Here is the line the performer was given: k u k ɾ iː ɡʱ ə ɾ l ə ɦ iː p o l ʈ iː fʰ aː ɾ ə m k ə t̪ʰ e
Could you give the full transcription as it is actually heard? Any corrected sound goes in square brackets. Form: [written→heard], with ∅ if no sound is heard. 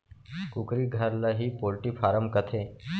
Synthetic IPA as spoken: k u k ɾ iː ɡʱ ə ɾ l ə ɦ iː p o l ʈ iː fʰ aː ɾ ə m k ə t̪ʰ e